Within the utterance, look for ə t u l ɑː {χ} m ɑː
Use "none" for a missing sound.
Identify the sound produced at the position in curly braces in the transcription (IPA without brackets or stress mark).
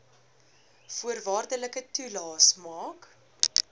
s